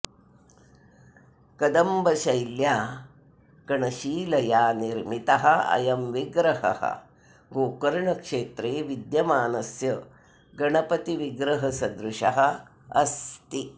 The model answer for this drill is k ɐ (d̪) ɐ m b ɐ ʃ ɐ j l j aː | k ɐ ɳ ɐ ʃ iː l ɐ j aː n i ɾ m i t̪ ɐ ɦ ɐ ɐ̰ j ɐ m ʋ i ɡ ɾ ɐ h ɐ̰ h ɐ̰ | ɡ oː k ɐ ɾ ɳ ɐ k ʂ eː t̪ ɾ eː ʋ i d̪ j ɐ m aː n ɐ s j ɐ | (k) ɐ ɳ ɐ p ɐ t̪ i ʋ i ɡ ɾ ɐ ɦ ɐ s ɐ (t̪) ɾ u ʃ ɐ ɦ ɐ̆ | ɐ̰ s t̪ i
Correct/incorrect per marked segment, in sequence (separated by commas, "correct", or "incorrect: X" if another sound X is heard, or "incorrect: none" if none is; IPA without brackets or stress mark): correct, incorrect: ɡ, incorrect: d̪